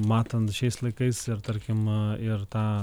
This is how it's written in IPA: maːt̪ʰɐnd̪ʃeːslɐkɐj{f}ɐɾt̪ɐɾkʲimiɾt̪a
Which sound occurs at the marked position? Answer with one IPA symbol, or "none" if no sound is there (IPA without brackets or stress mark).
s